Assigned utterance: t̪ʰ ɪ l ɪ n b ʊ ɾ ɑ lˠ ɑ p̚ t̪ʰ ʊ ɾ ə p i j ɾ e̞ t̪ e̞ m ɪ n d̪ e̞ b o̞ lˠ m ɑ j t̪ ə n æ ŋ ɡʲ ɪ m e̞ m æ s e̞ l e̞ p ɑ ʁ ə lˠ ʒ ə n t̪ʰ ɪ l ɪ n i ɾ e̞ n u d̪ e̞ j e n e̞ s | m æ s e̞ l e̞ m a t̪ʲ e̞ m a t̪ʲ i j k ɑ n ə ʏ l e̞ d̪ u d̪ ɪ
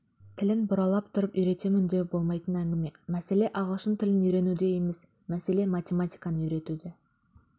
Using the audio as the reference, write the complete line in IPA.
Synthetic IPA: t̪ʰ ɪ l ɪ n b ʊ ɾ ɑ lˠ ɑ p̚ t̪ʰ ʊ ɾ ə p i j ɾ e̞ t̪ e̞ m ɪ n d̪ e̞ b o̞ lˠ m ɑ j t̪ ə n æ ŋ ɡʲ ɪ m e̞ m æ s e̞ l e̞ ʔ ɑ ʁ ə lˠ ʃ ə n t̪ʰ ɪ l ɪ n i ɾ e̞ n u d̪ e̞ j e m e̞ s | m æ s e̞ l e̞ m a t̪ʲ e̞ m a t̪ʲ i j k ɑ n ə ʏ ɾ e̞ t̪ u d̪ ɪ